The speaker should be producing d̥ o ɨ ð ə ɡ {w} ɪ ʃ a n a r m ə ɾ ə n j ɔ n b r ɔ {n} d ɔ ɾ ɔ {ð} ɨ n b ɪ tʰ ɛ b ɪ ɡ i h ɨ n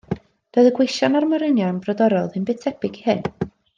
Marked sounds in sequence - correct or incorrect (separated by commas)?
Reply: correct, incorrect, correct